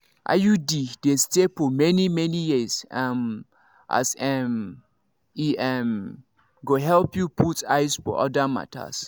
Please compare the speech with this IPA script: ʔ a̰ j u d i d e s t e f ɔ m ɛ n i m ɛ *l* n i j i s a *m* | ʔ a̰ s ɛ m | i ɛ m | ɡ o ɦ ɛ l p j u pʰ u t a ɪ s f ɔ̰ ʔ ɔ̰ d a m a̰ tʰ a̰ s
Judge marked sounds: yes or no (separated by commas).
no, yes